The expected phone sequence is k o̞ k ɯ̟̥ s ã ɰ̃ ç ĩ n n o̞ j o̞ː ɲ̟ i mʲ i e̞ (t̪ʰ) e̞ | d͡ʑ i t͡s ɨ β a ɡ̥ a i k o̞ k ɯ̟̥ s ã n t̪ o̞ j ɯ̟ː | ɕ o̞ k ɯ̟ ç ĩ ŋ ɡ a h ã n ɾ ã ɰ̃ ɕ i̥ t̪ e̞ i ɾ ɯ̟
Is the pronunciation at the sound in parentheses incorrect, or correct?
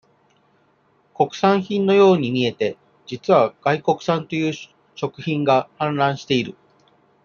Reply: incorrect